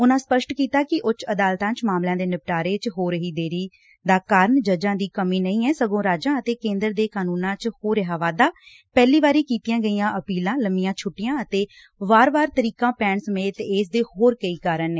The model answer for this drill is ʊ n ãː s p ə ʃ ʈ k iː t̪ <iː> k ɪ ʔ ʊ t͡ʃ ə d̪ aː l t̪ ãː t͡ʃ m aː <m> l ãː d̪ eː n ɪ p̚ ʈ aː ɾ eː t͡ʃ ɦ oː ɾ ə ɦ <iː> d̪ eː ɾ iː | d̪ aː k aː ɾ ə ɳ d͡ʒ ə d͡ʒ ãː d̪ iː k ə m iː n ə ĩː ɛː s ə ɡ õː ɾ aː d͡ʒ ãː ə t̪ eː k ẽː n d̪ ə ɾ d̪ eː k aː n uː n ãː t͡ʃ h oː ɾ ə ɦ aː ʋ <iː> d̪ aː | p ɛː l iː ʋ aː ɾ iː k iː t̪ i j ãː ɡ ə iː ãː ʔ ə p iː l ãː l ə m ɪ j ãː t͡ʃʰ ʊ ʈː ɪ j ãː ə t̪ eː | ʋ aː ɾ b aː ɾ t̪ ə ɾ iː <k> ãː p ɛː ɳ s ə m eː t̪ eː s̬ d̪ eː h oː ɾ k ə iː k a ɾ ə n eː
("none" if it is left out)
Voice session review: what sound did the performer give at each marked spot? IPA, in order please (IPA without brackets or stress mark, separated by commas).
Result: aː, m, iː, aː, k